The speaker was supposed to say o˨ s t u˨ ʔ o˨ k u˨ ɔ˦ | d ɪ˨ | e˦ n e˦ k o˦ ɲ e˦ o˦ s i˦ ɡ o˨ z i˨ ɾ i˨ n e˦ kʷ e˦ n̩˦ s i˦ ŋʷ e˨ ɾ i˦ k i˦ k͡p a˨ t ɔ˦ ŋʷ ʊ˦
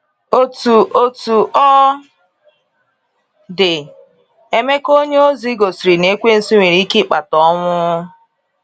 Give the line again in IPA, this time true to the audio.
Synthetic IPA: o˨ t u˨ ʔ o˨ t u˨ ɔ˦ | d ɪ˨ | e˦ m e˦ k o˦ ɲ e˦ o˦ z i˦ ɡ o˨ s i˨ ɾ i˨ n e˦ kʷ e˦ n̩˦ s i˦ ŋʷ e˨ ɾ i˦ k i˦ k͡p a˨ t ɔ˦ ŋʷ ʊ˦